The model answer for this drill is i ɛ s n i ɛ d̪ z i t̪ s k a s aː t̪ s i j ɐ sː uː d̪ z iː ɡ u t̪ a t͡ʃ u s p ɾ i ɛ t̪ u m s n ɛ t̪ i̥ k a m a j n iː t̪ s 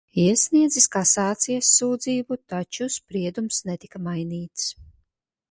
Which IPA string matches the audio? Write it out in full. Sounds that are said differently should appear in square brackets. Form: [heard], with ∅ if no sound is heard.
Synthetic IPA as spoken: i ɛ s n i ɛ d̪ z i [∅] s k a s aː t̪ s i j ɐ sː uː d̪ z iː [b] u t̪ a t͡ʃ u s p ɾ i ɛ [d̪] u m s n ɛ t̪ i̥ k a m a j n iː t̪ s